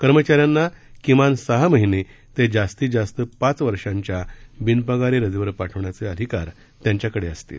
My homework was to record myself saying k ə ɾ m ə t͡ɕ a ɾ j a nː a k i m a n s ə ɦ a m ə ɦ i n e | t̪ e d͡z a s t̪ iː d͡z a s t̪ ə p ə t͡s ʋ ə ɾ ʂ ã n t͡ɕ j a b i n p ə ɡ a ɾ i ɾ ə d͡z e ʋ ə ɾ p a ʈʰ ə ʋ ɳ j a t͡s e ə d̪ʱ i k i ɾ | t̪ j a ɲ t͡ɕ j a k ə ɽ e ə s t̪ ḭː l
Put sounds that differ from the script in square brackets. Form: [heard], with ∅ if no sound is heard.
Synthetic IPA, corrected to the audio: k ə ɾ m ə t͡ɕ a ɾ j a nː a k i m a n s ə ɦ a m ə ɦ i n e | t̪ e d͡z a s t̪ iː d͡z a s t̪ ə p [a] t͡s ʋ ə ɾ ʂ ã [ɲ] t͡ɕ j a b i n p ə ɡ a ɾ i ɾ ə d͡z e ʋ ə ɾ p a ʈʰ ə ʋ ɳ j a t͡s e ə d̪ʱ i k [a] ɾ | t̪ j a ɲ t͡ɕ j a k ə ɽ e ə s t̪ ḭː l